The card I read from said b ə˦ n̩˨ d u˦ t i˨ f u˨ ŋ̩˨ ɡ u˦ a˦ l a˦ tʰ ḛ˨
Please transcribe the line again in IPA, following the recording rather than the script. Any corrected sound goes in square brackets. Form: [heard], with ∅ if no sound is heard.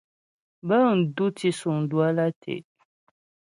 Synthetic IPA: b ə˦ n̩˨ d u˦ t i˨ [s] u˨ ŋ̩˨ [d] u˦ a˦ l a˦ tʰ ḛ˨